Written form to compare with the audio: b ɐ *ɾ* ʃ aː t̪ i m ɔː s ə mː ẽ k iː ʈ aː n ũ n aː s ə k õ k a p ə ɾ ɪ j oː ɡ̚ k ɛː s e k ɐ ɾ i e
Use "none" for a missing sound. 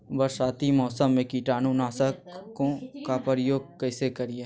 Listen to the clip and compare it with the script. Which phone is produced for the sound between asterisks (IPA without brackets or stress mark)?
ɾ